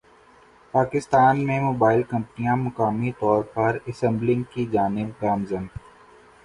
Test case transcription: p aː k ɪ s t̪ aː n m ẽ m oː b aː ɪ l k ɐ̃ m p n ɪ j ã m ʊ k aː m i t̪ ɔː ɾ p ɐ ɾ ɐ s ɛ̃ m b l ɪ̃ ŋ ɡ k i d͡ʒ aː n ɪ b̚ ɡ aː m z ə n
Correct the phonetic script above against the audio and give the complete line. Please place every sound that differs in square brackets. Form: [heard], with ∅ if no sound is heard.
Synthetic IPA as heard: p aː k ɪ s t̪ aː n m ẽ m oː b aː ɪ l k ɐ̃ m p n [i] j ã m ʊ k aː m i t̪ ɔː ɾ p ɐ ɾ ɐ s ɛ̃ m b l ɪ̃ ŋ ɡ k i d͡ʒ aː n ɪ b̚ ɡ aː m z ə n